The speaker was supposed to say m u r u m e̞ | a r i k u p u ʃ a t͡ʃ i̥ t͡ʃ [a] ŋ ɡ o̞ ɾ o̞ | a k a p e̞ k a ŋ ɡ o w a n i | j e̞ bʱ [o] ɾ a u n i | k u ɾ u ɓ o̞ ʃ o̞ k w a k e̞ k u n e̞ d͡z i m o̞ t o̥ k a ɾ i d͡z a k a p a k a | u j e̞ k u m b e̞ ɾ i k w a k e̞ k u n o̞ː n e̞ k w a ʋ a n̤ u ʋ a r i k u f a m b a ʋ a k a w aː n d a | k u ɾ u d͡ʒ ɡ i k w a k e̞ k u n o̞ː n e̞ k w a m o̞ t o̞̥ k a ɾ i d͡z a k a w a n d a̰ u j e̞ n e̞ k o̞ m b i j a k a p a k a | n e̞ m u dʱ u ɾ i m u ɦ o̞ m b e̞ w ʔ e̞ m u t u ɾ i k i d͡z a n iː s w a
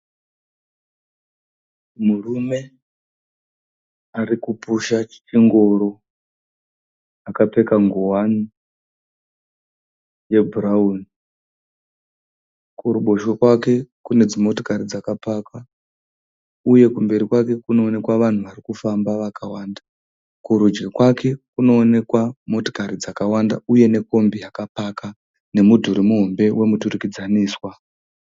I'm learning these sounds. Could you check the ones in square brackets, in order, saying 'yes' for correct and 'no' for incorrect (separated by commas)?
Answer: no, no